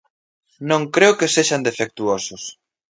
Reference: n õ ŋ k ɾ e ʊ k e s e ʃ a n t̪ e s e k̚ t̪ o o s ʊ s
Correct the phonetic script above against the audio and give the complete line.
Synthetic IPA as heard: n õ ŋ k ɾ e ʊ k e s e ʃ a n d̪ e f e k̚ t̪ u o s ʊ s